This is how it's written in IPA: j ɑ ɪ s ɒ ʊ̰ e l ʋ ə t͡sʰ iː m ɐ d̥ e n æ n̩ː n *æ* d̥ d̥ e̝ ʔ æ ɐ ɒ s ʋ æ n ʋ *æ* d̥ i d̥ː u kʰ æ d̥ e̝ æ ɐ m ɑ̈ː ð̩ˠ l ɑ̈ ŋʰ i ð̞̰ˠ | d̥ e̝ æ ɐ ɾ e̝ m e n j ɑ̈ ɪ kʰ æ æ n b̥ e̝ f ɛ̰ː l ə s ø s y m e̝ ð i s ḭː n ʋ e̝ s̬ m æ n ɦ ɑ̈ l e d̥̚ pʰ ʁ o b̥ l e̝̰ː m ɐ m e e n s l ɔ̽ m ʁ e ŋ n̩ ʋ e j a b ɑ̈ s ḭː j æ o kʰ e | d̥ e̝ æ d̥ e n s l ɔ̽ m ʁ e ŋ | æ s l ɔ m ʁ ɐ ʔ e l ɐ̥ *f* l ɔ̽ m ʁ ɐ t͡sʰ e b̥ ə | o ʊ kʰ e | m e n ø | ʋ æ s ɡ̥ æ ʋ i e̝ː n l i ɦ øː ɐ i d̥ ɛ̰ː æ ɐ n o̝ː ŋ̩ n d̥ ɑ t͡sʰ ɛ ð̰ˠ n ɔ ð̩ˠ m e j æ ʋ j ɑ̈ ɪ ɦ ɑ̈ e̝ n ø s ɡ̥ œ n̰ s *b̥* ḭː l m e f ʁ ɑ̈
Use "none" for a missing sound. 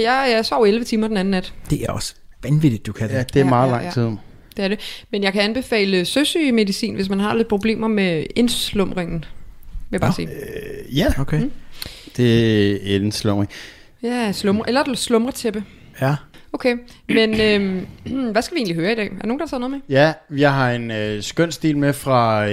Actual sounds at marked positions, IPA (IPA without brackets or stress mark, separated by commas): æ, i, s, d̥